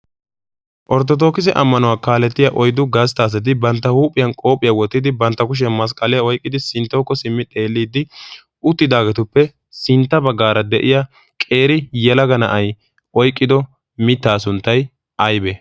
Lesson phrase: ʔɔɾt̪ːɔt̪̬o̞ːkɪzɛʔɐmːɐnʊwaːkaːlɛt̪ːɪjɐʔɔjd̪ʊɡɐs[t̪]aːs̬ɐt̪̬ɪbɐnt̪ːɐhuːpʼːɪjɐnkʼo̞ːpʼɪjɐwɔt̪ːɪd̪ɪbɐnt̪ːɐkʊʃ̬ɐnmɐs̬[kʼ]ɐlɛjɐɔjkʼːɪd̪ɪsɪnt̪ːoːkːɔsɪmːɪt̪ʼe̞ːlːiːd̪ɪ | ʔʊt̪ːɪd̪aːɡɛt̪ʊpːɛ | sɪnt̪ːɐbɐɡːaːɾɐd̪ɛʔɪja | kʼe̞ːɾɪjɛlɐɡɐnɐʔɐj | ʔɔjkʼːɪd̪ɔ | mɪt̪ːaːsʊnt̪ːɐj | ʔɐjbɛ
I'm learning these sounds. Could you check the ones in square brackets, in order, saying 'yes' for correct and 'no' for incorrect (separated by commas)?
yes, yes